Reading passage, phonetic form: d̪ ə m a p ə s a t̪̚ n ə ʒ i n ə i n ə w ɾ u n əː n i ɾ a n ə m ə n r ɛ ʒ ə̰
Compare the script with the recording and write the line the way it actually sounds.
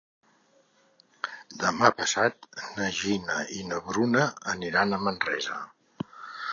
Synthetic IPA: d̪ ə m a p ə s a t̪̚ n ə ʒ i n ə i n ə β ɾ u n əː n i ɾ a n ə m ə n r ɛ z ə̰